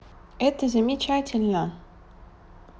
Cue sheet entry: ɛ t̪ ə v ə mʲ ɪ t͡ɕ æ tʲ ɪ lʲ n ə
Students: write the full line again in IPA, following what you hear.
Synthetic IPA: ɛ t̪ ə z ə mʲ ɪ t͡ɕ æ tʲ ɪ lʲ n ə